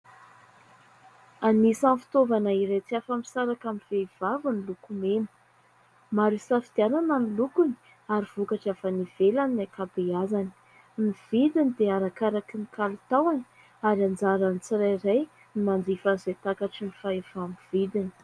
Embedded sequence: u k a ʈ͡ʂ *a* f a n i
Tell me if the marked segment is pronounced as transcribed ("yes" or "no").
yes